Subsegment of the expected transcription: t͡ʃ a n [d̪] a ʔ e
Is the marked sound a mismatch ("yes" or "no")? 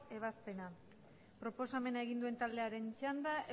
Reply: no